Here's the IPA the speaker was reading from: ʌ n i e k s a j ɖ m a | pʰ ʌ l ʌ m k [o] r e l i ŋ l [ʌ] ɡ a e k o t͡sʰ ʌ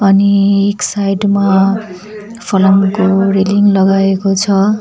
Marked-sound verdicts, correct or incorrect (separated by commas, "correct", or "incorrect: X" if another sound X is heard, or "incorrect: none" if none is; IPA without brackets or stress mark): correct, correct